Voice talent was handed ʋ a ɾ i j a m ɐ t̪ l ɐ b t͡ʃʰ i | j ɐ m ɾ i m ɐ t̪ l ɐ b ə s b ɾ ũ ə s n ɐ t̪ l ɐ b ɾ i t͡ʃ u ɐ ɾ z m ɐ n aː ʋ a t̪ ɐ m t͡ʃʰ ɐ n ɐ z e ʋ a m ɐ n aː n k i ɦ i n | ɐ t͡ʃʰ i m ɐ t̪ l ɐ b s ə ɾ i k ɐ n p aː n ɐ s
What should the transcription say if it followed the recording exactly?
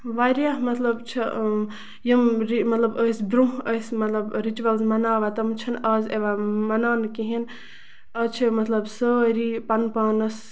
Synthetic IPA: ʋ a ɾ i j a m ɐ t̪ l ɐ b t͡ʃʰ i | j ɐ m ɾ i m ɐ t̪ l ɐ b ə s b ɾ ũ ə s m ɐ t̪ l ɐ b ɾ i t͡ʃ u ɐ l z m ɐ n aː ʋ a t̪ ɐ m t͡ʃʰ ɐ n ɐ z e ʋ a m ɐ n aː n k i ɦ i n | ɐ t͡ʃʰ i m ɐ t̪ l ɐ b s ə ɾ i p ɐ n p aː n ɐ s

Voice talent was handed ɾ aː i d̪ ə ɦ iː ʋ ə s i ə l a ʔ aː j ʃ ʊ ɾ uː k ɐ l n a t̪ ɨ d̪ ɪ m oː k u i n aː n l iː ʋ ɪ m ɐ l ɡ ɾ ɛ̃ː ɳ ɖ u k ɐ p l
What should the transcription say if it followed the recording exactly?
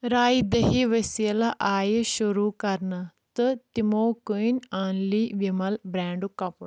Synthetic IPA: ɾ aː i d̪ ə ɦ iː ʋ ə s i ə l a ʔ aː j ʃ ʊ ɾ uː k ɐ ɾ n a t̪ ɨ t̪ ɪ m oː k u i n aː n l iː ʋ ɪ m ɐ l b ɾ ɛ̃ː ɳ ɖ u k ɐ p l

